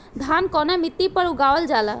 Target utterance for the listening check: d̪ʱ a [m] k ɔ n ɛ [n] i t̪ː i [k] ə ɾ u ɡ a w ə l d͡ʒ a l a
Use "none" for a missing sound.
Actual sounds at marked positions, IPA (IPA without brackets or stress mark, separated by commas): n, m, p